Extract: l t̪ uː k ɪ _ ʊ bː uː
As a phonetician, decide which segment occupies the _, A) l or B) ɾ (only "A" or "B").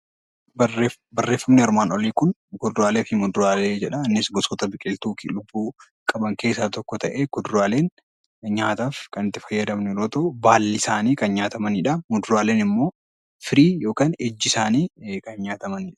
A